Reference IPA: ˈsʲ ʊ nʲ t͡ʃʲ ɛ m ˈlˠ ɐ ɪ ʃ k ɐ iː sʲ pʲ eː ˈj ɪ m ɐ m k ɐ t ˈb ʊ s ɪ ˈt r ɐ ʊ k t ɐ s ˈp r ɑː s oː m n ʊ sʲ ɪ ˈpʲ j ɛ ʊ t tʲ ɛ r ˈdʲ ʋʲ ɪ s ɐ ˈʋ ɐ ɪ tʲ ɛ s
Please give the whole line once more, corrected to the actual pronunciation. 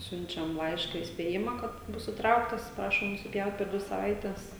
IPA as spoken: ˈsʲ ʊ nʲ t͡ʃʲ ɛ m ˈlˠ ɐ ɪ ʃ k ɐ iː sʲ pʲ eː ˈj ɪ m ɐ k ɐ t ˈb ʊ s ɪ ˈt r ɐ ʊ k t ɐ s ˈp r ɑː ʃ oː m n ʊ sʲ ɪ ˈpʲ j ɛ ʊ t pʲ ɛ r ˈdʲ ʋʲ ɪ s ɐ ˈʋ ɐ ɪ tʲ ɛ s